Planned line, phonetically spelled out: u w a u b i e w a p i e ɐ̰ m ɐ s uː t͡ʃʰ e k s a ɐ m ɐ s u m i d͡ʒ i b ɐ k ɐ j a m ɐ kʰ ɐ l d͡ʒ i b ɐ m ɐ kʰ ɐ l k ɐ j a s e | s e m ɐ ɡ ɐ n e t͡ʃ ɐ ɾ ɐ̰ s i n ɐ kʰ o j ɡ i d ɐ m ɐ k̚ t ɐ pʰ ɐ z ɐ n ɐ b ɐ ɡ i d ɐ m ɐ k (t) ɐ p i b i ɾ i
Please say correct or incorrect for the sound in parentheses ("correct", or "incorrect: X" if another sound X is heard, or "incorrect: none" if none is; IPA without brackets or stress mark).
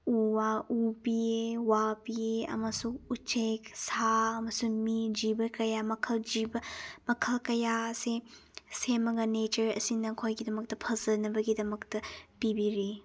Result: correct